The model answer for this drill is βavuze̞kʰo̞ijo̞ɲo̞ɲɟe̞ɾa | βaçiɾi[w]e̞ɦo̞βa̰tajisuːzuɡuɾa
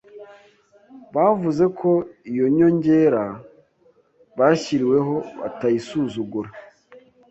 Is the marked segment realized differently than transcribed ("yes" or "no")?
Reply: no